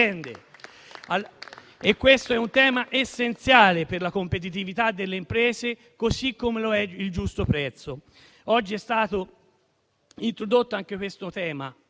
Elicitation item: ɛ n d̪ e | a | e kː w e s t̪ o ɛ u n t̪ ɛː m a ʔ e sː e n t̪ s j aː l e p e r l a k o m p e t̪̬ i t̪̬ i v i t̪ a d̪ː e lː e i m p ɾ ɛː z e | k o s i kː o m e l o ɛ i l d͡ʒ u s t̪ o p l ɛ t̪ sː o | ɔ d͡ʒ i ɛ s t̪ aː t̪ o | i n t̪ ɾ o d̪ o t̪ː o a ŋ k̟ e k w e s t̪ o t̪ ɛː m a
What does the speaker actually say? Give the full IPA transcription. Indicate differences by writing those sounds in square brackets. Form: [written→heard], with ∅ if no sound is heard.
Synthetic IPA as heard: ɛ n d̪ e | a | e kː w e s t̪ o ɛ u n t̪ ɛː m a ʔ e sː e n t̪ s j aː l e p e r l a k o m p e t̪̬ i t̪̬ i v i t̪ a d̪ː e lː e i m p ɾ ɛː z e | k o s i kː o m e l o ɛ i l d͡ʒ u s t̪ o p [l→ɾ] ɛ t̪ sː o | ɔ [d͡ʒ→d͡ʒː] i ɛ s t̪ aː t̪ o | i n t̪ ɾ o d̪ o t̪ː o a ŋ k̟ e k w e s t̪ o t̪ ɛː m a